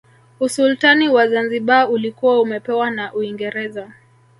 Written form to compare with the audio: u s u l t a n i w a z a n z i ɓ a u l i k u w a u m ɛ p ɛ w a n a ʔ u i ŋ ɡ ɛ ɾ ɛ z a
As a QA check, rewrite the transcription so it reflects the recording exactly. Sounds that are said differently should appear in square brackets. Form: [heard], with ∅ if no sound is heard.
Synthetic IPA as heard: u s u l t a n i w a z a n z i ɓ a u l i k u w a u m ɛ p ɛ w a n a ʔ u i ŋ ɡ ɛ ɾ ɛ z a